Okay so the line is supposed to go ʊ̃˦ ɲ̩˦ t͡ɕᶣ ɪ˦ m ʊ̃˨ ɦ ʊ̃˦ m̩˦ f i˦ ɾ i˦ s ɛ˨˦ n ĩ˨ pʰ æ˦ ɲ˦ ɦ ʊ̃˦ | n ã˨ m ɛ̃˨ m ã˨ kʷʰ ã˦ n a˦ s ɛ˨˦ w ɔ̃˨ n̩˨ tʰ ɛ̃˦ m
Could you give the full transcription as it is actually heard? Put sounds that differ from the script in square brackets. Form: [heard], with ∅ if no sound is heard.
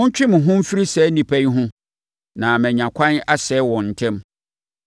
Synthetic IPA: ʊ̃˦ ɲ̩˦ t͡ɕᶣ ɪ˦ m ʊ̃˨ ɦ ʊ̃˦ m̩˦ f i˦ ɾ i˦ s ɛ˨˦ n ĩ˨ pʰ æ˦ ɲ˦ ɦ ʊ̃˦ | n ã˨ m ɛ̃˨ [ɲ] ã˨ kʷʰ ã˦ n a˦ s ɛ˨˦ w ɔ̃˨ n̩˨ tʰ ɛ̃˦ m